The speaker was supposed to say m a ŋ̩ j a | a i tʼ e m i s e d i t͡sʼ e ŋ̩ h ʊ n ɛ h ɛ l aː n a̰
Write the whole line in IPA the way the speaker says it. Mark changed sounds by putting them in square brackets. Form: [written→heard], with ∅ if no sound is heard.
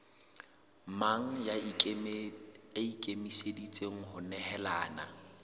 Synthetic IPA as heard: m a ŋ̩ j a | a i [tʼ→kʼ] e m i s e d i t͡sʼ e ŋ̩ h ʊ n ɛ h ɛ l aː n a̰